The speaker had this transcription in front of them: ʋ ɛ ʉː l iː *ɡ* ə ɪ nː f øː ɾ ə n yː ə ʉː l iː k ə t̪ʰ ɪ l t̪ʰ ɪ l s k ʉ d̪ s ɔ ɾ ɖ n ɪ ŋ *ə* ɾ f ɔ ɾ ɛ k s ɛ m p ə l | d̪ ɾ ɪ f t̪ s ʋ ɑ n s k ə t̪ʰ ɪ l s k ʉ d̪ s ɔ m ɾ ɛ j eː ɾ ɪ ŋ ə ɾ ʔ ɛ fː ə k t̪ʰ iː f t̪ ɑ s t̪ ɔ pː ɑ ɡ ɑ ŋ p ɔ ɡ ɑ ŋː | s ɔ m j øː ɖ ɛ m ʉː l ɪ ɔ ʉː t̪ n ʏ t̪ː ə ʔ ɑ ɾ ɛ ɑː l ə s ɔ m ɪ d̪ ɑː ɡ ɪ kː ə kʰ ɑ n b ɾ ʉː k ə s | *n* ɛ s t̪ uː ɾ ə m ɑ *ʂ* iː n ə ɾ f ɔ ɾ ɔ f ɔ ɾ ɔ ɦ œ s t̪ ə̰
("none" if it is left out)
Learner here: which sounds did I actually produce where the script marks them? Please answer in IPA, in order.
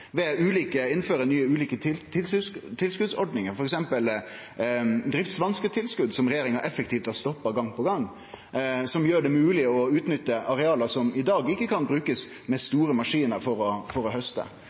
k, ə, m, ʂ

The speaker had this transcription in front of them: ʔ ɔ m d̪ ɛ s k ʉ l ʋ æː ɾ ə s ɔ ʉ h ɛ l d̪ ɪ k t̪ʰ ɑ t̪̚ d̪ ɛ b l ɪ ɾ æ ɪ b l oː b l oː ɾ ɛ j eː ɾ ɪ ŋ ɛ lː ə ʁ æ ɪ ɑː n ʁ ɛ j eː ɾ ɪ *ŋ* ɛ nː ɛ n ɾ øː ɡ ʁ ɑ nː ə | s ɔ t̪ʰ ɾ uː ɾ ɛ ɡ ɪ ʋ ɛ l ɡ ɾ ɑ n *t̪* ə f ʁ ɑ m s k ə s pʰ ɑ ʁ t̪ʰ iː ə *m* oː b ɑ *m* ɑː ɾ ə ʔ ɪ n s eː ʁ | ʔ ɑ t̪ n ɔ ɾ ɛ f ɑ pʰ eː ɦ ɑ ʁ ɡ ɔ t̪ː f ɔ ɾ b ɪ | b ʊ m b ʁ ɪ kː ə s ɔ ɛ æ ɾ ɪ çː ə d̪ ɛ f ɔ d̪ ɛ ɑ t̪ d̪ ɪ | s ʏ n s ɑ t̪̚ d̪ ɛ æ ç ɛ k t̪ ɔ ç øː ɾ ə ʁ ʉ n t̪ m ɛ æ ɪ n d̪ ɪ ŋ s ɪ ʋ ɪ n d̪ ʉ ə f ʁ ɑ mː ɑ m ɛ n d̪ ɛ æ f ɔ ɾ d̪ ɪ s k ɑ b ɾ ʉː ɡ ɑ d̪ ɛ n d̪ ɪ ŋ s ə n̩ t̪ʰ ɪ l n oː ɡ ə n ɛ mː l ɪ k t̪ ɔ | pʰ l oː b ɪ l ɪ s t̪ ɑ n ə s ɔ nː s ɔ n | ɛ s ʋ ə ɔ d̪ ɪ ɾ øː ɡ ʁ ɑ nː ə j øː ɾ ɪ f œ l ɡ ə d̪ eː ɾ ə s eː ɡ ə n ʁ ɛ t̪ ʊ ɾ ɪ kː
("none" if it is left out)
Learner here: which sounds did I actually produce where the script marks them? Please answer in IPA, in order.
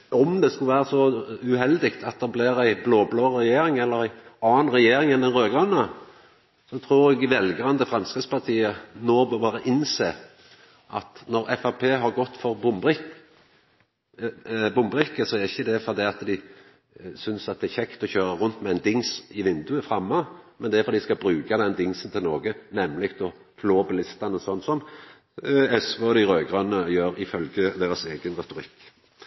ŋ, d̪, n, b

